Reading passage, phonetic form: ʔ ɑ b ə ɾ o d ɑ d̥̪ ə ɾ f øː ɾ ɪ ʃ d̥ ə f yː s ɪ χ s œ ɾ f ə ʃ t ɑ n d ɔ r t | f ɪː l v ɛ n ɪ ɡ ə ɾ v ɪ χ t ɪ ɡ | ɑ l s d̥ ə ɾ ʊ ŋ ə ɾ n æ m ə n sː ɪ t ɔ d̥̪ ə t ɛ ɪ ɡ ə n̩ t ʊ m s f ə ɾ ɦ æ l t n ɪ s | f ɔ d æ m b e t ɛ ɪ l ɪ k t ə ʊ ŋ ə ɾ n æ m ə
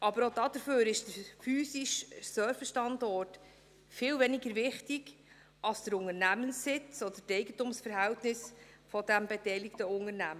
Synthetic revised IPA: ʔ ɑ b ə ɾ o d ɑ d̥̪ ə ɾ f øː ɾ ɪ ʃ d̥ ə f yː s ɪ ʃ s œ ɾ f ə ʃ t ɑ n d ɔ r t | f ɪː l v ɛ n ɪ ɡ ə ɾ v ɪ χ t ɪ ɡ | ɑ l s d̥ ə ɾ ʊ ŋ ə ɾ n æ m ə n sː ɪ t͡s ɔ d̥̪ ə t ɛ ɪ ɡ ə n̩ t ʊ m s f ə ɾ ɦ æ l t n ɪ s | f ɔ d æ m b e t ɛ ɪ l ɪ k t ə ʊ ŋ ə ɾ n æ m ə